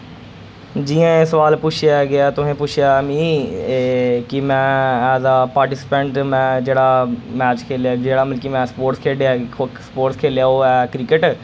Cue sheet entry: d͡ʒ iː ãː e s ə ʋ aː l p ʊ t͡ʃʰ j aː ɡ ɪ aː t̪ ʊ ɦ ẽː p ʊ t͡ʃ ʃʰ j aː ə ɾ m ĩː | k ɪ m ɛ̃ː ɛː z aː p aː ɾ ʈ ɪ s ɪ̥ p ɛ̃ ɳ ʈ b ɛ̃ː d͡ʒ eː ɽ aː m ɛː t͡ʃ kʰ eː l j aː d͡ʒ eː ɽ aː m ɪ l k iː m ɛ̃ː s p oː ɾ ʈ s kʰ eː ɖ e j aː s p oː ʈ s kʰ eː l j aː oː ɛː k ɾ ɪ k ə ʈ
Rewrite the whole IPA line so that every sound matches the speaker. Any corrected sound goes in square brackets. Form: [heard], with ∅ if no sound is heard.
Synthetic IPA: d͡ʒ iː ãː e s ə ʋ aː l p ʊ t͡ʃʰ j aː ɡ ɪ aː t̪ ʊ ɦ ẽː p ʊ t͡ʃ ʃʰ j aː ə [∅] m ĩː | k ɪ m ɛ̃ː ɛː z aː p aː ɾ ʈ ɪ s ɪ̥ p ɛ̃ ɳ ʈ [m] ɛ̃ː d͡ʒ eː ɽ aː m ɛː t͡ʃ kʰ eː l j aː d͡ʒ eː ɽ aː m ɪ l k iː m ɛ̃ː s p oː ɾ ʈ s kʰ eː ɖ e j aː s p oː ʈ s kʰ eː l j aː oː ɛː k ɾ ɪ k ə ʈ